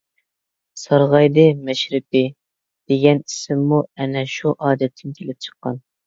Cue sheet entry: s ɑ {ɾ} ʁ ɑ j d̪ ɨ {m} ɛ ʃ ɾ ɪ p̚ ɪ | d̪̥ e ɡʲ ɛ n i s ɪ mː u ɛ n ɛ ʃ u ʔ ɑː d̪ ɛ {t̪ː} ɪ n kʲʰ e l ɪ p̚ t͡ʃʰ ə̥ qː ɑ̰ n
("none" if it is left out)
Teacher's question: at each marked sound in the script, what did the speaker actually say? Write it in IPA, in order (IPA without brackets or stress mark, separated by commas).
ɾ, m, t̪ʰː